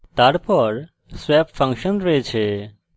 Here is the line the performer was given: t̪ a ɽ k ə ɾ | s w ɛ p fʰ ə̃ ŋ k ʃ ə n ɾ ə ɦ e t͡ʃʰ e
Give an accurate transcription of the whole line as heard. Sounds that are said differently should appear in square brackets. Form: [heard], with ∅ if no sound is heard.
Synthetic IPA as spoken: t̪ a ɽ [p] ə ɾ | s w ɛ p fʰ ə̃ ŋ k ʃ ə n ɾ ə ɦ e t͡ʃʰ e